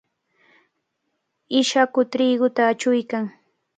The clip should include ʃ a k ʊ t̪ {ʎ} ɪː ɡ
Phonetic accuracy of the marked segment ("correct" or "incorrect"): incorrect